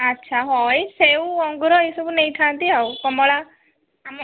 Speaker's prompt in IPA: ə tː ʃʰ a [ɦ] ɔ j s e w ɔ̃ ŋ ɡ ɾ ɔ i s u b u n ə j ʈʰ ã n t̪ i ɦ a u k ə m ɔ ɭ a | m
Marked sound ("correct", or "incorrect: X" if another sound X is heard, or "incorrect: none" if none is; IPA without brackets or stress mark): correct